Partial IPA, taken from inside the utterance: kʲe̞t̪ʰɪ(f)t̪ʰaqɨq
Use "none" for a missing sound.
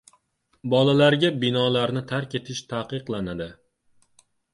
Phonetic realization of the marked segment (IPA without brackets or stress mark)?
ʃ